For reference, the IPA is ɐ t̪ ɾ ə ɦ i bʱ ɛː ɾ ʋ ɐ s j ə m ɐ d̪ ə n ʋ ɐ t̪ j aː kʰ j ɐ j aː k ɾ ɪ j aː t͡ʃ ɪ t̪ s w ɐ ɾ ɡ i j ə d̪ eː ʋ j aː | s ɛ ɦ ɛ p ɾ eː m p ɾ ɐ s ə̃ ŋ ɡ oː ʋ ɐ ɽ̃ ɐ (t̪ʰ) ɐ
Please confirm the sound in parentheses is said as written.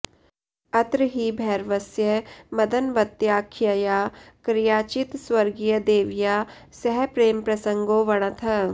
yes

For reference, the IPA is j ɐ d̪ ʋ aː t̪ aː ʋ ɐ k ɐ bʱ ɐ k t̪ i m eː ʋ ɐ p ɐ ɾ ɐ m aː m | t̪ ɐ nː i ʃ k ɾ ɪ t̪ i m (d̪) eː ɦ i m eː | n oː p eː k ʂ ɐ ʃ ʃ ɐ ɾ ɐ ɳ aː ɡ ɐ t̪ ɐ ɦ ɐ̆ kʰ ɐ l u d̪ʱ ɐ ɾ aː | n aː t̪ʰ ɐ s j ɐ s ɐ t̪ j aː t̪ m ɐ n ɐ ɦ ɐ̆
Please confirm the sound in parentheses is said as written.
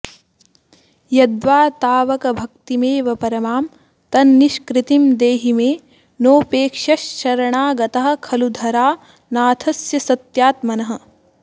yes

